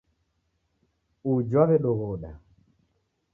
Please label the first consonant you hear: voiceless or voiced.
voiced